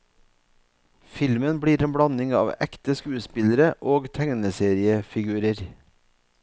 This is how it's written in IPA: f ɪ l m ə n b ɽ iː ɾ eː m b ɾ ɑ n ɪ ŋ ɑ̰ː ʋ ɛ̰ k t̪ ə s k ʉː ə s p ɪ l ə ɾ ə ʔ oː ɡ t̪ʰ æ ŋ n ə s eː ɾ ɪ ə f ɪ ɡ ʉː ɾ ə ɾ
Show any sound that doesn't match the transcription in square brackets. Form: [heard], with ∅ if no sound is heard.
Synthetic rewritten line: f ɪ l m ə n b ɽ iː ɾ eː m b [ɽ] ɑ n ɪ ŋ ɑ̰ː ʋ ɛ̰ k t̪ ə s k ʉː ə s p ɪ l ə ɾ ə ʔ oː ɡ t̪ʰ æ ŋ n ə s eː ɾ ɪ ə f ɪ ɡ ʉː ɾ ə ɾ